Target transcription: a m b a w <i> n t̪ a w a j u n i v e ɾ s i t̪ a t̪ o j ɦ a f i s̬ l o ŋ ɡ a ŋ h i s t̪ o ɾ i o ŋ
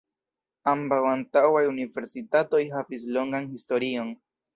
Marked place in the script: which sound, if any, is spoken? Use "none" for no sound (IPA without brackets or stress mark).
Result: a